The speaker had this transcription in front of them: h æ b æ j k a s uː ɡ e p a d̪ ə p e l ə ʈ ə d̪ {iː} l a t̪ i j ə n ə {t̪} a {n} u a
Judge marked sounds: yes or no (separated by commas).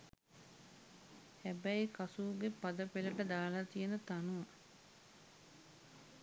no, yes, yes